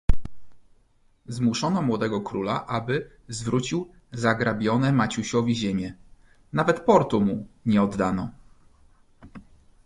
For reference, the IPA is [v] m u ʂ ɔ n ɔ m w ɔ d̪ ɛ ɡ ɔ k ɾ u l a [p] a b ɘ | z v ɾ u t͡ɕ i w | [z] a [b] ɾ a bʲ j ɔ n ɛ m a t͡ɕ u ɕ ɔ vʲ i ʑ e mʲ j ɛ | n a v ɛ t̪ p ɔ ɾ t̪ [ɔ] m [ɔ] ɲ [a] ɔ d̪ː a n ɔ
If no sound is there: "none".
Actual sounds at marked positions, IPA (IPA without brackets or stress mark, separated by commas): z, ʔ, z, ɡ, u, u, ɛ